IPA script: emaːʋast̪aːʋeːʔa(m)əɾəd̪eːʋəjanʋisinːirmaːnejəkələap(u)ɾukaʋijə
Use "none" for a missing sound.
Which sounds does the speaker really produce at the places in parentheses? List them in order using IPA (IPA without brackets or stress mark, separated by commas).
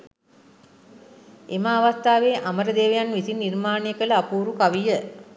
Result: m, uː